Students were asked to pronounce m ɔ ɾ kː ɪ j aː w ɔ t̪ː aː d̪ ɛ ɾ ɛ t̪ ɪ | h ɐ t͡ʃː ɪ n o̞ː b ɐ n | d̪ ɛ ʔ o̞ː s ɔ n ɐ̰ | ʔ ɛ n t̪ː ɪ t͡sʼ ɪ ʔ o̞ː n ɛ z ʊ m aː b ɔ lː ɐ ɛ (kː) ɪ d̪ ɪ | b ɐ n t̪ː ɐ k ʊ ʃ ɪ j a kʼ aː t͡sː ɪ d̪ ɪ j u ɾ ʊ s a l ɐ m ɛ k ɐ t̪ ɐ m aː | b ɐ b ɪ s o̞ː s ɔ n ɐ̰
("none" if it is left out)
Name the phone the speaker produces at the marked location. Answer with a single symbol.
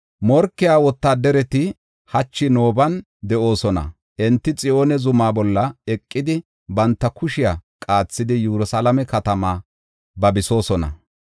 kʼː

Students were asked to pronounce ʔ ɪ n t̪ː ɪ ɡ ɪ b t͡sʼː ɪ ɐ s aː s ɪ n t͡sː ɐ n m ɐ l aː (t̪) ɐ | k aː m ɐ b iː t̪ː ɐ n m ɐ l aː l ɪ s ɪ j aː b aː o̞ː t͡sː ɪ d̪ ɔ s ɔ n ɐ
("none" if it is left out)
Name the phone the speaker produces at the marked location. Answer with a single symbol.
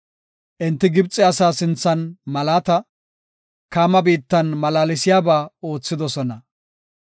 t̪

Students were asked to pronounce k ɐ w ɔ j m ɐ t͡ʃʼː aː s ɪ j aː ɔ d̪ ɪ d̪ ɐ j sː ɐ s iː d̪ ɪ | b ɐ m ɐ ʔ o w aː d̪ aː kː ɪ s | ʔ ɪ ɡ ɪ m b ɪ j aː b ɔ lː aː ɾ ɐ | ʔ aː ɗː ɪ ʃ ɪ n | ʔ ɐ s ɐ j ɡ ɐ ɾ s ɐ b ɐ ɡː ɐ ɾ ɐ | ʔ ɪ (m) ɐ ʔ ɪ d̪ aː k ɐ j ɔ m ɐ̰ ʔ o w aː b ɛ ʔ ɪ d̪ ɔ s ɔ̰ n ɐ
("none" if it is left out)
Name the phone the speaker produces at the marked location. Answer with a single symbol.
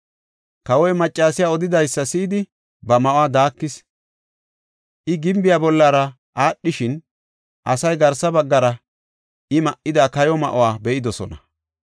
m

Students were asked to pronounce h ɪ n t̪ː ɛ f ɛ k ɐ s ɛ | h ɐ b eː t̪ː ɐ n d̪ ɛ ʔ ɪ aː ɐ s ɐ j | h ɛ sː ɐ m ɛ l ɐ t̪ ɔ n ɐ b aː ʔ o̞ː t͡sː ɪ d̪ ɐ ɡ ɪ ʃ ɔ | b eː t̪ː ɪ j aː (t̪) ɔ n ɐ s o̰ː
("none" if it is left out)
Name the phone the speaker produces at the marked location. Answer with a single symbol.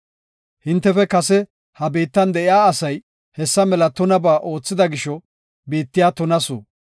t̪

